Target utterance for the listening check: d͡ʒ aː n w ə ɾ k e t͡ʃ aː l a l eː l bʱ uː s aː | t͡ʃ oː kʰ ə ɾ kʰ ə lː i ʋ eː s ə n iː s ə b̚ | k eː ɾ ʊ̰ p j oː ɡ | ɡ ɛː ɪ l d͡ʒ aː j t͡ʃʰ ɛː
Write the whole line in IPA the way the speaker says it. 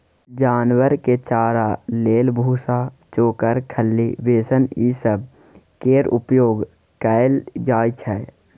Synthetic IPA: d͡ʒ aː n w ə ɾ k e t͡ʃ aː ɾ a l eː l bʱ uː s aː | t͡ʃ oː k ə ɾ kʰ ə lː i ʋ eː s ə n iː s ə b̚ | k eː ɾ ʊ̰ p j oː ɡ | k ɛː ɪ l d͡ʒ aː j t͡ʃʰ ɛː